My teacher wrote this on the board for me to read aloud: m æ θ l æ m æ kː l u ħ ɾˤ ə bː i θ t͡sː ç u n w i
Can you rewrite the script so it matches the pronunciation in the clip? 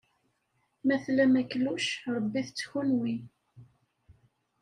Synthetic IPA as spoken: m æ θ l æ m æ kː l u ʃ ɾˤ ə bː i θ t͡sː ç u n w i